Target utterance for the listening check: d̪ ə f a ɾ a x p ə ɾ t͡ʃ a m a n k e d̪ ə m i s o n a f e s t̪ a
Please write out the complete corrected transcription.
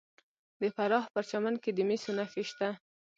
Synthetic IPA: d̪ ə f a ɾ ɑ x p ə ɾ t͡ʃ a m a n k e d̪ ə m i s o n a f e ʃ t̪ a

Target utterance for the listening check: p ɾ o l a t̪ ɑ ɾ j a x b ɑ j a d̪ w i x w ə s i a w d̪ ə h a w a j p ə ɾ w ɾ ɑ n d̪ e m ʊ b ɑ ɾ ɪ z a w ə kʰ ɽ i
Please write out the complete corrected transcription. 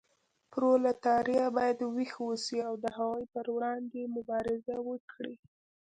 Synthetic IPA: p ɾ o l a t̪ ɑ ɾ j a b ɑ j a d̪ w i x w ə s i a w d̪ ə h a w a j p ə ɾ w ɽ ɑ n d̪ e m ʊ b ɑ ɾ ɪ z a w ə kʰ ɽ i

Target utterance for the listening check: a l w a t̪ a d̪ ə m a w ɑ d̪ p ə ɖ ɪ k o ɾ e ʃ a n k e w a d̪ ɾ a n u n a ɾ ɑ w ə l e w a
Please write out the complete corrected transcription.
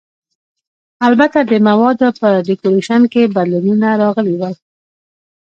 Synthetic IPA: a l b a t̪ a d̪ ə m a w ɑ d̪ p ə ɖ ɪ k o ɾ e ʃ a n k e b a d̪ l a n u n a ɾ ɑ ɣ ə l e w a

